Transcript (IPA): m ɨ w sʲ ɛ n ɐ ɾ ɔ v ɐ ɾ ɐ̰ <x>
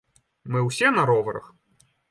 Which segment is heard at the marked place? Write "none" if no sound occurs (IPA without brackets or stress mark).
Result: x